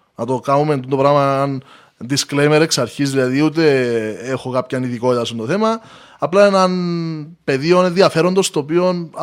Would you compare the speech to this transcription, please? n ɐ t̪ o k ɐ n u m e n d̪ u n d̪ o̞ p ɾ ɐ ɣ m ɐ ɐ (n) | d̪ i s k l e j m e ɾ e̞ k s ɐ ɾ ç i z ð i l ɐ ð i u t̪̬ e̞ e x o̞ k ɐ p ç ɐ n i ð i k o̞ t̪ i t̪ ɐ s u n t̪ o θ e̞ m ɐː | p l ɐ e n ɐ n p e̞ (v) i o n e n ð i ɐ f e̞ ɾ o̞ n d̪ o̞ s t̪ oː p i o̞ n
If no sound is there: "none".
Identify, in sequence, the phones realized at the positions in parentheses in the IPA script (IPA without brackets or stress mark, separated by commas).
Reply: n, ð